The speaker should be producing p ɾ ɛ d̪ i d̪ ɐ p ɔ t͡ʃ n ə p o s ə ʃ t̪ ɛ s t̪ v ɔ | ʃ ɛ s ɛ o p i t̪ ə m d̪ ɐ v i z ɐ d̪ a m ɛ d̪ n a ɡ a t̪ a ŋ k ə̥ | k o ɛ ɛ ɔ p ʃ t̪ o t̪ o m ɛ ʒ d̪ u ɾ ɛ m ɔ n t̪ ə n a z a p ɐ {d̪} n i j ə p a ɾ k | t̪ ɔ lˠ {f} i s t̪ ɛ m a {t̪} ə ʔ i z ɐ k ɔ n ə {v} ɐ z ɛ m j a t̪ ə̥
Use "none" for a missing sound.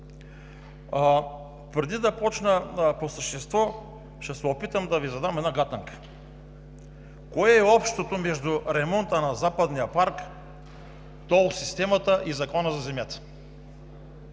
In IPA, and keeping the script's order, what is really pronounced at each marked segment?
d̪, s, t̪, z

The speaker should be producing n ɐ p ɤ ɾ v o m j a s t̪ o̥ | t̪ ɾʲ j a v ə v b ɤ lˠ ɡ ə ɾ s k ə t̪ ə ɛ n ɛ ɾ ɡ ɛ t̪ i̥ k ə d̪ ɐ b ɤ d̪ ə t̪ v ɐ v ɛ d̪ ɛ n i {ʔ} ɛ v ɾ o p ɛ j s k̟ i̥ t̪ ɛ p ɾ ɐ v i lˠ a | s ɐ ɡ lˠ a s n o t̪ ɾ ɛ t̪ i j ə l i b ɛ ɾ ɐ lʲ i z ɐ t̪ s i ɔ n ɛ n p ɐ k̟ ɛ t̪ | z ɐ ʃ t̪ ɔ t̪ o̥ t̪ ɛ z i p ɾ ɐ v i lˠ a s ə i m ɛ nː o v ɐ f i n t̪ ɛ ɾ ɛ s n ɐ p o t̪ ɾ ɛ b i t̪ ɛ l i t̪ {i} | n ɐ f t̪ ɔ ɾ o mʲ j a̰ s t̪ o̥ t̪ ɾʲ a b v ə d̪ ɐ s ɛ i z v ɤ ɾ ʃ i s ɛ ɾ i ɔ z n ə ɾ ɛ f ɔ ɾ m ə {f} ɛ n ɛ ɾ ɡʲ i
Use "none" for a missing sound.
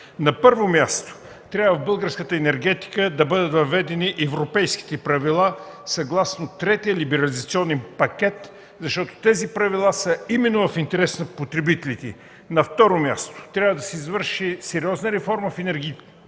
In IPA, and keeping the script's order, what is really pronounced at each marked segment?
ʔ, ɛ, f

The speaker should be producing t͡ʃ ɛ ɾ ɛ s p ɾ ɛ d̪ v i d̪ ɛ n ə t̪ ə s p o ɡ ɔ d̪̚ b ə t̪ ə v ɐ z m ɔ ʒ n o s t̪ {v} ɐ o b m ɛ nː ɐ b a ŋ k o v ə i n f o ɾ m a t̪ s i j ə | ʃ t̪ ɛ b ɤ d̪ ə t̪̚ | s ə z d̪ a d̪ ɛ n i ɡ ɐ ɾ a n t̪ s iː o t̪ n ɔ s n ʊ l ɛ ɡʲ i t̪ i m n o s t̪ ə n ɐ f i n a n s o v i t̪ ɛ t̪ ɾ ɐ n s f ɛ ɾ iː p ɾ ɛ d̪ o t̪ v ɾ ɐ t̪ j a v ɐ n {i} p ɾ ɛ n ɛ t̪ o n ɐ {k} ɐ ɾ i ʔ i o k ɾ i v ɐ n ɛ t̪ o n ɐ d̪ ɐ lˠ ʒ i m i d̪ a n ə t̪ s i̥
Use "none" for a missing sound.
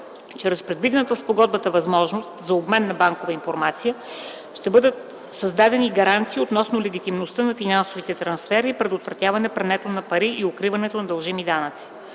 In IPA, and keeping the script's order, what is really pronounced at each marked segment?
z, ɛ, p

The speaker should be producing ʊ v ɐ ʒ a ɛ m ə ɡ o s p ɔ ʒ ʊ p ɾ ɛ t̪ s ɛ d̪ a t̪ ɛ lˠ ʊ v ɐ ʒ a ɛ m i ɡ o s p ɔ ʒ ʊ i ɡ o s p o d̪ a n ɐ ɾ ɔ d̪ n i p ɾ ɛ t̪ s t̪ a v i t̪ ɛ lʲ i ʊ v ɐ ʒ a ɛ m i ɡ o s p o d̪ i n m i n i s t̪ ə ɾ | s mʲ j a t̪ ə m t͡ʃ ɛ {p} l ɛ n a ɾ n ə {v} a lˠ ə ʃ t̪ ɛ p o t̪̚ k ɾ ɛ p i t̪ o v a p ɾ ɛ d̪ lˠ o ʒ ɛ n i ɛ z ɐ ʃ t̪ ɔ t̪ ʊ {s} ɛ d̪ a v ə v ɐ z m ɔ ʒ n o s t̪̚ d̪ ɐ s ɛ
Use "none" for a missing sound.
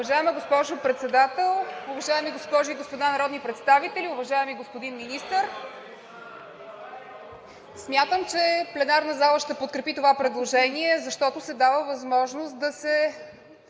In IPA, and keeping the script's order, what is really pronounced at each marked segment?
p, z, s

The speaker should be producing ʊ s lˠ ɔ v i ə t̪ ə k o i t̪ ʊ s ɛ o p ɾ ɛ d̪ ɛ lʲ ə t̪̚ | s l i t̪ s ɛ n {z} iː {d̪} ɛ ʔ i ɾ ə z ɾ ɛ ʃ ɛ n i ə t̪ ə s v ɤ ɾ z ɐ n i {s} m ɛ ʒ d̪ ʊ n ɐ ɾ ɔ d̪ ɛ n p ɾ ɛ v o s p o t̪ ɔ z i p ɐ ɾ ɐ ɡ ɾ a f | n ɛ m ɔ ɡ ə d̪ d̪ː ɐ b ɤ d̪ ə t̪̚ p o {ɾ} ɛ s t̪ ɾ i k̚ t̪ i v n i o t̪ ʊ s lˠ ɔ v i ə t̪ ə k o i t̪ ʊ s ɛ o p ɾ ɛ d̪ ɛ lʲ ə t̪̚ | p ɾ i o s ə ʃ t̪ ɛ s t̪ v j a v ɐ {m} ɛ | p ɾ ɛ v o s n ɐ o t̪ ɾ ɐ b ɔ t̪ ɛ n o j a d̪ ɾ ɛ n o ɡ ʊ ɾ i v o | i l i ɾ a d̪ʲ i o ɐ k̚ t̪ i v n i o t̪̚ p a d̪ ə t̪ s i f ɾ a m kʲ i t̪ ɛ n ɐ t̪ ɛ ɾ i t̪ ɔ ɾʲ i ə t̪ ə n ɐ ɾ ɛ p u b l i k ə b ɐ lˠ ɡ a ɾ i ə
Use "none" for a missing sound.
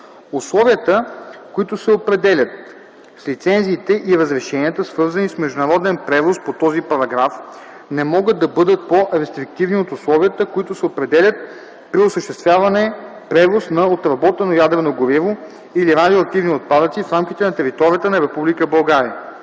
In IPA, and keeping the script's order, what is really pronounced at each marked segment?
z, t̪, s, ɾ, n

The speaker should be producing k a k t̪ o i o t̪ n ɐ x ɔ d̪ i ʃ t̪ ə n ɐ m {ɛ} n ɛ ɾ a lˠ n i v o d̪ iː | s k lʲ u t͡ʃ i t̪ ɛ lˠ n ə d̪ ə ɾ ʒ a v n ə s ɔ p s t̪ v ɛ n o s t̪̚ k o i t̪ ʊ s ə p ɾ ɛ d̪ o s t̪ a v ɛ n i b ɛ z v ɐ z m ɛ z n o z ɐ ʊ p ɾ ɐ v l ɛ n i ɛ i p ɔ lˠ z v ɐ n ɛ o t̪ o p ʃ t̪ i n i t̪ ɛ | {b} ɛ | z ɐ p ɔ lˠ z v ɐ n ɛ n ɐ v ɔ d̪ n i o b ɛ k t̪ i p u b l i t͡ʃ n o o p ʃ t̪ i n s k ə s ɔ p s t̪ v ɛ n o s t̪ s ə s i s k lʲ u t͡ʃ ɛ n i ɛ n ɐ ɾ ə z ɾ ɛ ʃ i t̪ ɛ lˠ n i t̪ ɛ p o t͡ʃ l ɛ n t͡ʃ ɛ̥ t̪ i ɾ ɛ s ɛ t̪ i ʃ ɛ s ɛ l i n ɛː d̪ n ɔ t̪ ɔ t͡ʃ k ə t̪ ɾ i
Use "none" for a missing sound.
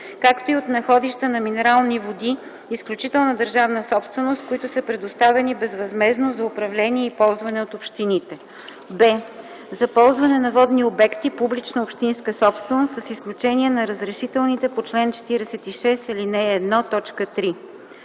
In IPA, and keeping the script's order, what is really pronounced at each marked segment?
i, b

